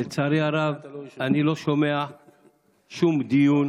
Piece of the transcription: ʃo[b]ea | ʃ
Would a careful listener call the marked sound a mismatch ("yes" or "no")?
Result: yes